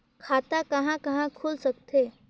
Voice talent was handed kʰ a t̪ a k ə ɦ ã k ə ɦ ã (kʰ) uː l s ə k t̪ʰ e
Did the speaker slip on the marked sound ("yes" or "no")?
no